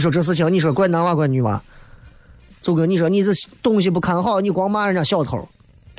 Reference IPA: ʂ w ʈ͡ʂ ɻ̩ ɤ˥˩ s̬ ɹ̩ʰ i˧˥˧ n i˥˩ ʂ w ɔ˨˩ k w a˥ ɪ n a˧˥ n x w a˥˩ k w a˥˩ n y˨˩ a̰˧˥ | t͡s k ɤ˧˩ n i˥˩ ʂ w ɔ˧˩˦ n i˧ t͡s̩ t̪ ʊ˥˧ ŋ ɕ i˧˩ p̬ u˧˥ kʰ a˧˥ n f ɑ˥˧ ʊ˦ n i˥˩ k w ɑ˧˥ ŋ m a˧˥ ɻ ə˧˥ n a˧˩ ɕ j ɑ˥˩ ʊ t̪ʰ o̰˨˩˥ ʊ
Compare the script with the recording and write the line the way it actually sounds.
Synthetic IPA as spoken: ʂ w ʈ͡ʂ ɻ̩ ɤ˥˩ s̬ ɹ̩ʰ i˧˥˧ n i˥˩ ʂ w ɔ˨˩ k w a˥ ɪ n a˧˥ n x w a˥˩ k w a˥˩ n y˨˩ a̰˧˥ | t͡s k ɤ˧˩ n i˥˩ ʂ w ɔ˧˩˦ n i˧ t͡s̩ t̪ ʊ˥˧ ŋ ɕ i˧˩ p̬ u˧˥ kʰ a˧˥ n x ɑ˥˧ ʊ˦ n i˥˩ k w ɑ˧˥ ŋ m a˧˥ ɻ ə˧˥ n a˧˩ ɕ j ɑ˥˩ ʊ t̪ʰ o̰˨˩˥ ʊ